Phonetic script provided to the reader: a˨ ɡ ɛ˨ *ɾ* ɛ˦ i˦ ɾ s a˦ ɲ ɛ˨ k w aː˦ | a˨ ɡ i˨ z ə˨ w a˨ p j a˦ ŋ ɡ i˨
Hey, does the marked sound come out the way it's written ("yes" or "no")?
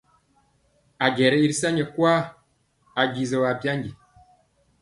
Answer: yes